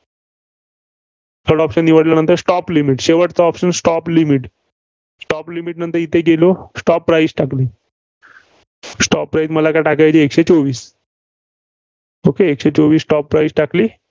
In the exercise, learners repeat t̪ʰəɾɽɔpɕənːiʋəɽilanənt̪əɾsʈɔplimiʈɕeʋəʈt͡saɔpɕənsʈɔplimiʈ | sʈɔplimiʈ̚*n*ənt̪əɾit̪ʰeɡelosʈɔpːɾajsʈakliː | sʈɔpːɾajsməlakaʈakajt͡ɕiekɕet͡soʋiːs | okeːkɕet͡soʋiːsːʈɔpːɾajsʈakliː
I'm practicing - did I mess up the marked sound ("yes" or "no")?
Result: no